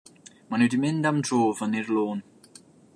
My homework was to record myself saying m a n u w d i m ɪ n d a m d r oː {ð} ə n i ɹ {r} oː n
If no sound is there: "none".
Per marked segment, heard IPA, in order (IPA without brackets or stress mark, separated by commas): v, l